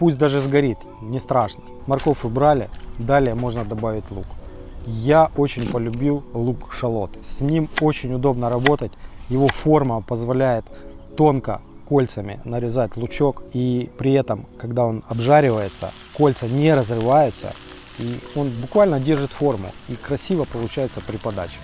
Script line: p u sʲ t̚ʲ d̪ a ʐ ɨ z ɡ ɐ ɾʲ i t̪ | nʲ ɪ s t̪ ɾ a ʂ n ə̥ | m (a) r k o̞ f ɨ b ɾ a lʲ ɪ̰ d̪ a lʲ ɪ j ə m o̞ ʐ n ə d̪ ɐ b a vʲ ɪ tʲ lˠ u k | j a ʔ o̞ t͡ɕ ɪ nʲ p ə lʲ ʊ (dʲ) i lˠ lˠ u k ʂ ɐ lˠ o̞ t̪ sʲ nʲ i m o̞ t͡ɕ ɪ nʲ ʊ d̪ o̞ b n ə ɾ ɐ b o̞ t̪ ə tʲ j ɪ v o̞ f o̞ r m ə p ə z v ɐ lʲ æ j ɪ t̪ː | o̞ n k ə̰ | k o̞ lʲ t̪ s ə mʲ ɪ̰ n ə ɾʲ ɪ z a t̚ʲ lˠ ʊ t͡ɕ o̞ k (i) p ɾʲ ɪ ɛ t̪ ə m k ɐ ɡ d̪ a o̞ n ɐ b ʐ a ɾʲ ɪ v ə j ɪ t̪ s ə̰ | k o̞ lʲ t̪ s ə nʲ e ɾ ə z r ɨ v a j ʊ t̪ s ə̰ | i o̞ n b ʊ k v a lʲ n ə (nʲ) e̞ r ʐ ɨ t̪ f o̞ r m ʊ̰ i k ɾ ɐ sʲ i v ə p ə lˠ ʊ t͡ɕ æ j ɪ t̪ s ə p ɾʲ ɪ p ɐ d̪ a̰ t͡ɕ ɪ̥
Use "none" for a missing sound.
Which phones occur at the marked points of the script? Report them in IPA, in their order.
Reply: ɐ, bʲ, i, dʲ

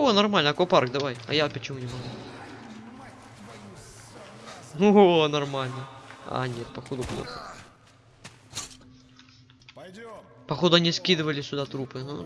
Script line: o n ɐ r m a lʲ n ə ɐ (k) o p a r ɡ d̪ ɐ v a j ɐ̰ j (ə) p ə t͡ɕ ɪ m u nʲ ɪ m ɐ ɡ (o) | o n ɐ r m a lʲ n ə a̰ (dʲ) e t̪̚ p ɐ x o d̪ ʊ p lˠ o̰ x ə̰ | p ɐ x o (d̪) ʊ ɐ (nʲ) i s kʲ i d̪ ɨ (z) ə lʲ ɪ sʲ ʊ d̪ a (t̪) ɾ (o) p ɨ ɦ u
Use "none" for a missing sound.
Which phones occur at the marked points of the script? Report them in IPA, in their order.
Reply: k, a, u, nʲ, d̪, nʲ, v, t̪, u

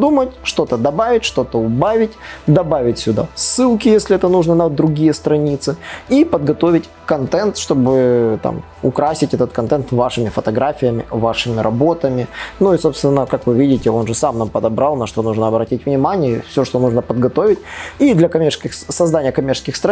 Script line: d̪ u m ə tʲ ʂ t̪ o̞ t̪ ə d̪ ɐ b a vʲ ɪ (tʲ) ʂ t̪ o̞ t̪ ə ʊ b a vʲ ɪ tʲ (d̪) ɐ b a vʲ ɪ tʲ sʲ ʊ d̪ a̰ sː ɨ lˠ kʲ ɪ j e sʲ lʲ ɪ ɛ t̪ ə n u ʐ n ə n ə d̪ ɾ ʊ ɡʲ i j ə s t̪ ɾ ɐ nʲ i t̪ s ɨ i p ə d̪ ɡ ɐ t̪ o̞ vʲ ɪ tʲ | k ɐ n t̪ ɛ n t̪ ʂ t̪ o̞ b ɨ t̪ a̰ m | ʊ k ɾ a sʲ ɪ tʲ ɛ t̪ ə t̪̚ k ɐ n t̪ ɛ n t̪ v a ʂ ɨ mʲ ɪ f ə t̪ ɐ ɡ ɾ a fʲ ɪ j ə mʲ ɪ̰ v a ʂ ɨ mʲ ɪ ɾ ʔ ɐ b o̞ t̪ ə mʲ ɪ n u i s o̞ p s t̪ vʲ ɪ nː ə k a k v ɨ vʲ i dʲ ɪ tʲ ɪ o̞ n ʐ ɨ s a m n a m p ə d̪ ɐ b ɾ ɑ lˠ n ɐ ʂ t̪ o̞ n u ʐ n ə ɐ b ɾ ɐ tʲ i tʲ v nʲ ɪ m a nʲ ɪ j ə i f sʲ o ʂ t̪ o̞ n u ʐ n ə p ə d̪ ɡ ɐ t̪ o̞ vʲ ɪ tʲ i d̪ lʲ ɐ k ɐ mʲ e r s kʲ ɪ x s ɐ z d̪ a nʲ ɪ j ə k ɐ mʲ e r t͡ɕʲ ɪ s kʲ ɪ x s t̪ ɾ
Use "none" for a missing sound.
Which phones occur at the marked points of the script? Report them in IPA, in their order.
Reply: tʲ, d̪

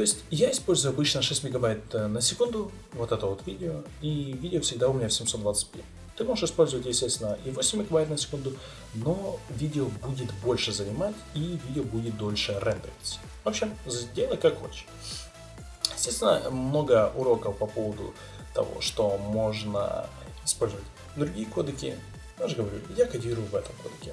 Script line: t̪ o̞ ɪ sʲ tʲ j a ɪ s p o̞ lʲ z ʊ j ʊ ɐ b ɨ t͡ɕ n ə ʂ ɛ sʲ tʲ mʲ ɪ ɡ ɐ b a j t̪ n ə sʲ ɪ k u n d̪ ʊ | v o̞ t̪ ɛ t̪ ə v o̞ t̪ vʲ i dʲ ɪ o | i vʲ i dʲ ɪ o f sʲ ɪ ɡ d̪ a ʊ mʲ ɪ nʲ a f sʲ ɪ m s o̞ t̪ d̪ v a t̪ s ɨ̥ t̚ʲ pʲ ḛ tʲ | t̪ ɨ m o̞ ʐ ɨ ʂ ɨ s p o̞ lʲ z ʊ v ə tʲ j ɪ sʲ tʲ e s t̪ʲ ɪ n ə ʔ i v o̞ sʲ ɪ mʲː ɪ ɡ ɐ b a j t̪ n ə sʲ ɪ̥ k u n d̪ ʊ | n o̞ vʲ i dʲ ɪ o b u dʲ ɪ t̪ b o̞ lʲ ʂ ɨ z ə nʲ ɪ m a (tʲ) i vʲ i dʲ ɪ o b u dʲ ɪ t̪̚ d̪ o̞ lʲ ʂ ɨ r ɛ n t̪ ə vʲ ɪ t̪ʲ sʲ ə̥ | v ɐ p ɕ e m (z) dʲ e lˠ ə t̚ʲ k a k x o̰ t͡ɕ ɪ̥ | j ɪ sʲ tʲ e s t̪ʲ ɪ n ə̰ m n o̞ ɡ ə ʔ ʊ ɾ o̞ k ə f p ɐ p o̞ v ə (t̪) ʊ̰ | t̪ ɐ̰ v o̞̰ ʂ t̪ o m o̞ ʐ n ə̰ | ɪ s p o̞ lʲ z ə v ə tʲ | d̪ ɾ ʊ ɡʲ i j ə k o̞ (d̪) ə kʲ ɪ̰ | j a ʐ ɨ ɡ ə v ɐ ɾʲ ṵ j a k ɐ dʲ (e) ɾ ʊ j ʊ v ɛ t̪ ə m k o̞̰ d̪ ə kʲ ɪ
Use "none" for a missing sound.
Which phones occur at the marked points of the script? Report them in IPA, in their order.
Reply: tʲ, z, d̪, d̪, i

